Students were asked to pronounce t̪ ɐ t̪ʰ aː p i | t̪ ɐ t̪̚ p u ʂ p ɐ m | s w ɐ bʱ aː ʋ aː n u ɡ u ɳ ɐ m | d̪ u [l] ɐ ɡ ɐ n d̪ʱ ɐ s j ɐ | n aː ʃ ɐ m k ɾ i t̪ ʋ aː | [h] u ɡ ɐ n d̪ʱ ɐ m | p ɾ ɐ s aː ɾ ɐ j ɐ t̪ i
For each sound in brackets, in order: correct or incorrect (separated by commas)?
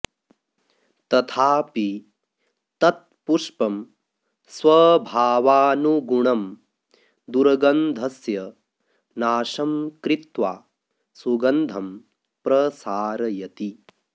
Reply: incorrect, incorrect